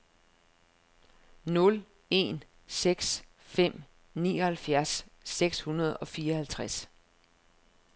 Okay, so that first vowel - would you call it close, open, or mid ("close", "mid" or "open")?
mid